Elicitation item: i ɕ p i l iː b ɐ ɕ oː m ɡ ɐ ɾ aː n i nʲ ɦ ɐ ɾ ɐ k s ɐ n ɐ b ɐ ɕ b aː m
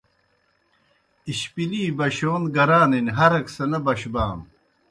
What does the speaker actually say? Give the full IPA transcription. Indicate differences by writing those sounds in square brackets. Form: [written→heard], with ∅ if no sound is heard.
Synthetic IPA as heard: i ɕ p i l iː b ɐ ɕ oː [m→n] ɡ ɐ ɾ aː n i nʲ ɦ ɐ ɾ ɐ k s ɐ n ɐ b ɐ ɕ b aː m